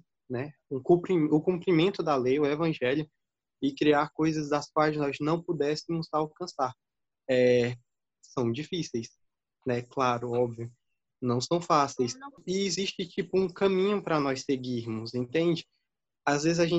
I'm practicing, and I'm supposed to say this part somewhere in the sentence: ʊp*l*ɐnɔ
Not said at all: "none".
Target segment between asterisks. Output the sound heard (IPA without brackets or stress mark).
ɾ